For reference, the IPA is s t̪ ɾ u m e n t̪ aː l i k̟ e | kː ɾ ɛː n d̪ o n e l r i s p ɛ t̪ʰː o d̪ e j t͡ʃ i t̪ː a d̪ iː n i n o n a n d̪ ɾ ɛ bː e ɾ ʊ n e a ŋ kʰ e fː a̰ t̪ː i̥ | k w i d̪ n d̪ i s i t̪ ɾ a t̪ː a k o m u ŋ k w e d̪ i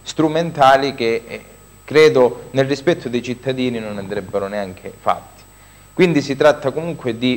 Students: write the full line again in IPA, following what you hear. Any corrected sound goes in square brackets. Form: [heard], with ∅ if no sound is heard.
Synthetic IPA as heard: s t̪ ɾ u m e n t̪ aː l i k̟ e | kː ɾ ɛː [∅] d̪ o n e l r i s p ɛ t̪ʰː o d̪ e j t͡ʃ i t̪ː a d̪ iː n i n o n a n d̪ ɾ ɛ bː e ɾ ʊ n e a ŋ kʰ e [f] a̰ t̪ː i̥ | k w i [∅] n d̪ i s i t̪ ɾ a t̪ː a k o m u ŋ k w e d̪ i